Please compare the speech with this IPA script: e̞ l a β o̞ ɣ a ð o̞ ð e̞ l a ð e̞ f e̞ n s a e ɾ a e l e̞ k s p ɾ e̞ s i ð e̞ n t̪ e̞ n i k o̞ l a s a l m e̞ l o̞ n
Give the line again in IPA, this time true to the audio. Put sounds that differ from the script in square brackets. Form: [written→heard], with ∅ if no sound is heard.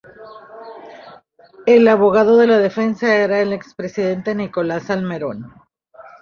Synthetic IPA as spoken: e̞ l a β o̞ ɣ a ð o̞ ð e̞ l a ð e̞ f e̞ n s a e ɾ a e l e̞ k s p ɾ e̞ s i ð e̞ n t̪ e̞ n i k o̞ l a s a l m e̞ [l→ɾ] o̞ n